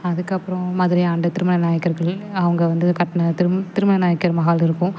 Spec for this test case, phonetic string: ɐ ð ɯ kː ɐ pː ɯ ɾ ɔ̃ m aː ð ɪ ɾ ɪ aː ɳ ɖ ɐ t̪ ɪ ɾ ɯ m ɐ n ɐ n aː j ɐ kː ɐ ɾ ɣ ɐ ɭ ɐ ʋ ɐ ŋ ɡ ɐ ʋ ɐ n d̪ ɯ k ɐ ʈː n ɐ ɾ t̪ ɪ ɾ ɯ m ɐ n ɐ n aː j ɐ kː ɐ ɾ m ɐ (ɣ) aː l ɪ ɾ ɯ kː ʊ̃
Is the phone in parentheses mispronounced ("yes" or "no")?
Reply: no